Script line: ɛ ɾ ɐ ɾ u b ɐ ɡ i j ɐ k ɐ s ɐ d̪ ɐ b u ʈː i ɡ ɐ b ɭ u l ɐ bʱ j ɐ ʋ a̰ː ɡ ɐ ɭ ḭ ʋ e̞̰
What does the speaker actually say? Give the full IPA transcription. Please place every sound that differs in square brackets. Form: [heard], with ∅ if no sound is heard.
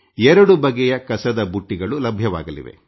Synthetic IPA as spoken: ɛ ɾ ɐ [ɽ] u b ɐ ɡ [ɛ] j ɐ k ɐ s ɐ d̪ ɐ b u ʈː i ɡ ɐ [∅] ɭ u l ɐ bʱ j ɐ ʋ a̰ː ɡ ɐ [l] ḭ ʋ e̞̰